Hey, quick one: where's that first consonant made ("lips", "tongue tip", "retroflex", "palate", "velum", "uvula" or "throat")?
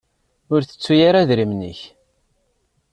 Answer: tongue tip